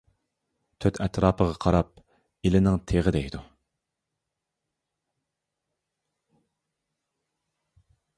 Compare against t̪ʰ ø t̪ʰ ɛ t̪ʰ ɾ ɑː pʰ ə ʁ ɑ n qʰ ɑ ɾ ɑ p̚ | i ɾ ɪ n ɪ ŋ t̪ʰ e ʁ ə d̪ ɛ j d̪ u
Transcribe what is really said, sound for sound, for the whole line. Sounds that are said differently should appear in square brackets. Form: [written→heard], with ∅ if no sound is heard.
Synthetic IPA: t̪ʰ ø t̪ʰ ɛ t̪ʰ ɾ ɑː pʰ ə ʁ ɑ [n→∅] qʰ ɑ ɾ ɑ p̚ | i [ɾ→l] ɪ n ɪ ŋ t̪ʰ e ʁ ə d̪ ɛ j d̪ u